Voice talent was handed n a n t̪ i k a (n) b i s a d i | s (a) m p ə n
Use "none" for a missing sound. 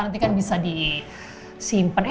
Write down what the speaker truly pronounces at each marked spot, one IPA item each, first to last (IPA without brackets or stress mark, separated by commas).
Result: n, i